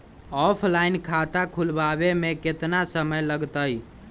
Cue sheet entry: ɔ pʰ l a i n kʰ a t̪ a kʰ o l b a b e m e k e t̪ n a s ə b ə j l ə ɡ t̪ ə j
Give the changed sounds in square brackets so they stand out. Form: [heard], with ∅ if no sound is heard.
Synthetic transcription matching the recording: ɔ pʰ l a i n kʰ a t̪ a kʰ [u] l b a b e m e k e t̪ n a s ə [m] ə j l ə ɡ t̪ ə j